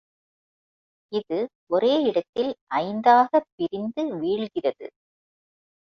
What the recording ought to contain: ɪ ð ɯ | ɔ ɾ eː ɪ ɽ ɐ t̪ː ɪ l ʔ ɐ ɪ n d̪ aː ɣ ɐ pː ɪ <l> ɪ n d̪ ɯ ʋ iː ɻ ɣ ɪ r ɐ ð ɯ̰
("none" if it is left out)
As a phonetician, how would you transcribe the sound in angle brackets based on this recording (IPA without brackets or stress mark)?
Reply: ɾ